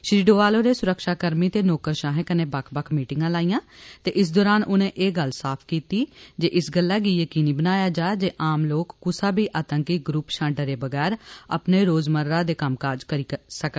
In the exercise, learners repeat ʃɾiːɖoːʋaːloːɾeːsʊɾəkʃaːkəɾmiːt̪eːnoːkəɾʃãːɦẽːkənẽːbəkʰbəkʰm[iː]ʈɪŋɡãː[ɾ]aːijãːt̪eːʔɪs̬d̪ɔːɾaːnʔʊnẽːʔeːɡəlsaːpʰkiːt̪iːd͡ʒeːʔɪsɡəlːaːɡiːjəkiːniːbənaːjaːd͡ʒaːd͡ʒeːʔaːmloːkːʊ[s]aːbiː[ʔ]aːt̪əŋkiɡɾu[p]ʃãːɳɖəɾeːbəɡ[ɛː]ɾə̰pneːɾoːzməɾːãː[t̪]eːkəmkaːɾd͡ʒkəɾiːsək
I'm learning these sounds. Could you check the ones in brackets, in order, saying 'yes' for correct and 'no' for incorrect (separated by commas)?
yes, no, yes, yes, yes, yes, no